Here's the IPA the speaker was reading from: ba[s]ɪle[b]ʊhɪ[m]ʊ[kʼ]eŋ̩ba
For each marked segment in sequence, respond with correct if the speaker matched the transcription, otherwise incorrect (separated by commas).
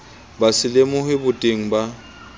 correct, incorrect, incorrect, incorrect